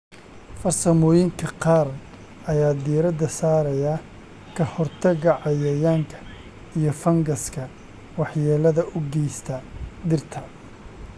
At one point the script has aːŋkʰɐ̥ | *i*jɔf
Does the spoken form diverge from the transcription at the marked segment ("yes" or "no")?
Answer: no